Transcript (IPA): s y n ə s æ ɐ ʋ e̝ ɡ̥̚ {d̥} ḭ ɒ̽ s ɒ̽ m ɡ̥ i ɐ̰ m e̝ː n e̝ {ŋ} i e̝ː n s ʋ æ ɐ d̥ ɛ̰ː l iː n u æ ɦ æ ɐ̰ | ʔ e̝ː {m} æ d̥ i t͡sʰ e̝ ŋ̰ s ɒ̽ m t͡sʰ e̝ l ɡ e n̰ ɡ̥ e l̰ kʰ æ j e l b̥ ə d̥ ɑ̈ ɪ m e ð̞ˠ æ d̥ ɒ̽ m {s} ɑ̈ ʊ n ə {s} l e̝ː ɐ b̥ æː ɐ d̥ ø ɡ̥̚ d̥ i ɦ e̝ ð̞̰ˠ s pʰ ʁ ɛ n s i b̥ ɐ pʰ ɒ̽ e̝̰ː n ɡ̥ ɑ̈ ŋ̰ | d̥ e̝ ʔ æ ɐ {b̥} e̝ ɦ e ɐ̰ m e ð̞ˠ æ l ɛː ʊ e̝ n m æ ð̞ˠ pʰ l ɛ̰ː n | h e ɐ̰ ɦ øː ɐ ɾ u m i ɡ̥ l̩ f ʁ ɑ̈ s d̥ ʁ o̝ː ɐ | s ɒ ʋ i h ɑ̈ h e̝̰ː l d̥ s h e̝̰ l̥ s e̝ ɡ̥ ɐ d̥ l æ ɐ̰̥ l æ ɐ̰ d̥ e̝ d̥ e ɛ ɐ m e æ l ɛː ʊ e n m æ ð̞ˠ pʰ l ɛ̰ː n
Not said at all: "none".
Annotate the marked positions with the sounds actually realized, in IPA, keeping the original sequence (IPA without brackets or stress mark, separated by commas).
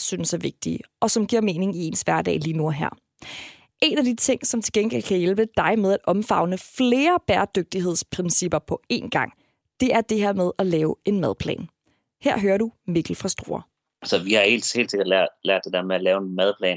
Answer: d̥, ŋ, n, f, f, d̥